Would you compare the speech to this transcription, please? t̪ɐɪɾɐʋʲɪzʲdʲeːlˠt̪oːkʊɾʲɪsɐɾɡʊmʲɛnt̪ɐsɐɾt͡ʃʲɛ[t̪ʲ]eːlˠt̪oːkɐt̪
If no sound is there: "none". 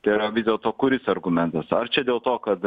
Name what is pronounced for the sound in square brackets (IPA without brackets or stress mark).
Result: d̪ʲ